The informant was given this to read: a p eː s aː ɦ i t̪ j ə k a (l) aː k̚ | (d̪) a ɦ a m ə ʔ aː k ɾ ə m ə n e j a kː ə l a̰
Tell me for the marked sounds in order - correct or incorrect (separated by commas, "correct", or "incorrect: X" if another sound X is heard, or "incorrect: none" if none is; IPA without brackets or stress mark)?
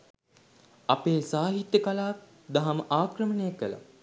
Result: correct, correct